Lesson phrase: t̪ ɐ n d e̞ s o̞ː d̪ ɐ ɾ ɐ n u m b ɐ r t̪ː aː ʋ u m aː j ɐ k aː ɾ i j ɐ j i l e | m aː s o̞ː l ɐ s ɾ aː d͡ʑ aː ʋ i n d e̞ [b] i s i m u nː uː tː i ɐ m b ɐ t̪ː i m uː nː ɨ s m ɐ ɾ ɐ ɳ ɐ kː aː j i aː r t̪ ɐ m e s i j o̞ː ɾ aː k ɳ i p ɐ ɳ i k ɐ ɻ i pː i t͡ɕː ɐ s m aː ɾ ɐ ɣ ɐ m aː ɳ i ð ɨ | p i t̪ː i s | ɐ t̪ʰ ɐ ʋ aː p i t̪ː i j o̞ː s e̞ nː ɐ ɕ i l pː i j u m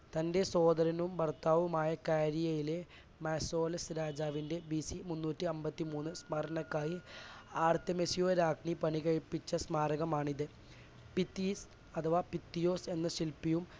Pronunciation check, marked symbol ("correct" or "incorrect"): correct